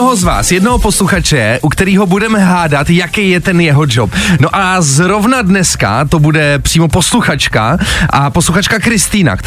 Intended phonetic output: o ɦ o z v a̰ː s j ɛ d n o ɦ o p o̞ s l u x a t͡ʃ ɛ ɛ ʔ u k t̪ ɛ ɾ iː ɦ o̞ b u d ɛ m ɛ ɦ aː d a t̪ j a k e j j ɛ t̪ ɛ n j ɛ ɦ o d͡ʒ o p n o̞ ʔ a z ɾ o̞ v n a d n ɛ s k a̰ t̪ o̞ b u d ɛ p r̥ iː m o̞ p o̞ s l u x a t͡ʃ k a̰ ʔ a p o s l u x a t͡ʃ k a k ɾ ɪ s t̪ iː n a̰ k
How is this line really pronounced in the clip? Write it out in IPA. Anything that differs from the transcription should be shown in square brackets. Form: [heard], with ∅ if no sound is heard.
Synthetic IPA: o ɦ o z v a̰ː s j ɛ d n o ɦ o p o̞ s l u x a t͡ʃ ɛ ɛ ʔ u k t̪ ɛ ɾ iː ɦ o̞ b u d ɛ m ɛ ɦ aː d a t̪ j a k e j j ɛ t̪ ɛ n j ɛ ɦ o d͡ʒ o p n o̞ ʔ a z ɾ o̞ v n a d n ɛ s k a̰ t̪ o̞ b u d ɛ p r̥ iː m o̞ p o̞ s l u x a t͡ʃ k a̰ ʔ a p o s l u x a t͡ʃ k a k ɾ ɪ s t̪ iː n a̰ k